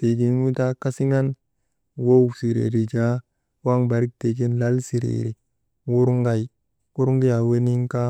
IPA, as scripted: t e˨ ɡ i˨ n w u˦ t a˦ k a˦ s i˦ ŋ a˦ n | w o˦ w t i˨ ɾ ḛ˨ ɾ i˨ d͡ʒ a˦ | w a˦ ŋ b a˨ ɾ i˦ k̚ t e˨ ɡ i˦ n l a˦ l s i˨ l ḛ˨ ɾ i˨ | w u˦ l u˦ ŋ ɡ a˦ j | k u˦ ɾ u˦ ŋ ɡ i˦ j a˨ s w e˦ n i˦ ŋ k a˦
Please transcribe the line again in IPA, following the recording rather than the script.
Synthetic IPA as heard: t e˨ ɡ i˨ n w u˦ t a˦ k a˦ s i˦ ŋ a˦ n | w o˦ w s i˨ ɾ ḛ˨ ɾ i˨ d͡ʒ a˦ | w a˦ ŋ b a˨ ɾ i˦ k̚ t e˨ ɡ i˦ n l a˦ l s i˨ ɾ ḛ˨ ɾ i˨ | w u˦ ɾ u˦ ŋ ɡ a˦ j | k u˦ ɾ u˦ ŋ ɡ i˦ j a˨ w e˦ n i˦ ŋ k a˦

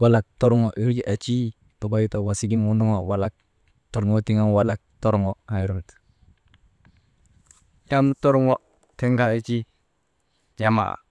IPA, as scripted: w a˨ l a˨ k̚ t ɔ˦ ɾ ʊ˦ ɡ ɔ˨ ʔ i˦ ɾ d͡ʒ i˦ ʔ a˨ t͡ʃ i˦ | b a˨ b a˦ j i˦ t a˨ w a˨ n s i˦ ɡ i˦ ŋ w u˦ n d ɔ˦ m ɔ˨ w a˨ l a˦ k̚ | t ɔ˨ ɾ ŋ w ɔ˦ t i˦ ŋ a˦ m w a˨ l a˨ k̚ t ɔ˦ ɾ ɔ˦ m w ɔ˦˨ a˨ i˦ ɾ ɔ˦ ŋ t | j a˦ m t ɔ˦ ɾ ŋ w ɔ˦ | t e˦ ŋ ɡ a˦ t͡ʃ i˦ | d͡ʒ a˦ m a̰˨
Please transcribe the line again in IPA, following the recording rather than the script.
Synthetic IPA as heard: w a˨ l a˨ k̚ t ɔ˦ ɾ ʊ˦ ŋ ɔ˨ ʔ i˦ ɾ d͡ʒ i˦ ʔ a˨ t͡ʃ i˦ | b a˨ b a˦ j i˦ t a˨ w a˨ s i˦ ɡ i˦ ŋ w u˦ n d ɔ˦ ŋ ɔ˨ w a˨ l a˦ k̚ | t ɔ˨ ɾ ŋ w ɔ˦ t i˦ ŋ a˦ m w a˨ l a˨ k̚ t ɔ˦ ɾ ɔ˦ ŋ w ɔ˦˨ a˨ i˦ ɾ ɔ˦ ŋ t | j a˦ m t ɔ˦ ɾ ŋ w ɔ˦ | t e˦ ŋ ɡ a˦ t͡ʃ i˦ | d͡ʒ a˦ m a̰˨

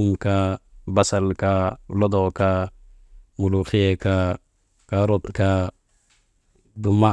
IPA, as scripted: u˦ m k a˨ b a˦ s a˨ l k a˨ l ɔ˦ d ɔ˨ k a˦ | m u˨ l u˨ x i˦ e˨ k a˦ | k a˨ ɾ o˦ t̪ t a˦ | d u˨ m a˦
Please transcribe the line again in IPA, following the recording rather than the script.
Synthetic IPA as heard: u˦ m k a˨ b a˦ s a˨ l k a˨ l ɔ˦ d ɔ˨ k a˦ | m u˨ l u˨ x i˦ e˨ k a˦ | k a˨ ɾ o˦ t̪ k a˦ | d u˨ m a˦

